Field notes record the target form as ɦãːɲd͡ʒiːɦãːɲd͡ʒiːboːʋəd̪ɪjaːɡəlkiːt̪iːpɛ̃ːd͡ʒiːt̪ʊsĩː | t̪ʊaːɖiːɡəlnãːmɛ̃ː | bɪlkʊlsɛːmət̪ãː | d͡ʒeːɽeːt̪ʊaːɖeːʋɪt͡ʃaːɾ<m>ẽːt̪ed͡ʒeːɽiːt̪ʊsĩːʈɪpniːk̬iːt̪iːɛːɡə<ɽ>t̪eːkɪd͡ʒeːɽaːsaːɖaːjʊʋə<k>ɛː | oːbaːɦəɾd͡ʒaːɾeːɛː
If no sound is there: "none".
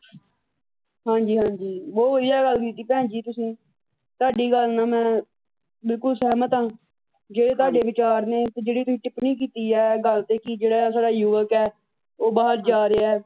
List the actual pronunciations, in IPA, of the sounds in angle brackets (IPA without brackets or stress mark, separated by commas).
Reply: n, l, k